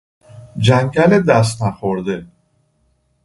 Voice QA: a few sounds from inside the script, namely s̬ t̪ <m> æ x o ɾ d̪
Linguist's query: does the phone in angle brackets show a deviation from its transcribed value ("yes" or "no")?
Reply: yes